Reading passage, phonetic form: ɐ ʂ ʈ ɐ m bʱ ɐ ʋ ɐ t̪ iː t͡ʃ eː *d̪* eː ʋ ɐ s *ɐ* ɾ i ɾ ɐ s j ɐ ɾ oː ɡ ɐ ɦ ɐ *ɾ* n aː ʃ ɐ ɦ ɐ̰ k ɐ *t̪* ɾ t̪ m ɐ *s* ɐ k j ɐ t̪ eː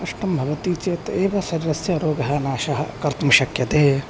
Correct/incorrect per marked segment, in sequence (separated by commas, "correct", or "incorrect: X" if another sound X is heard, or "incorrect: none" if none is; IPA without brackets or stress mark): incorrect: t̪, correct, incorrect: none, incorrect: none, incorrect: ʃ